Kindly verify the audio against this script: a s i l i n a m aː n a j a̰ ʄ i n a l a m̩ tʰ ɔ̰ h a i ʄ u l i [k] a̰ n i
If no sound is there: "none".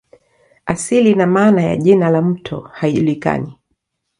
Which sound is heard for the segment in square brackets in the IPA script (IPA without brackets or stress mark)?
k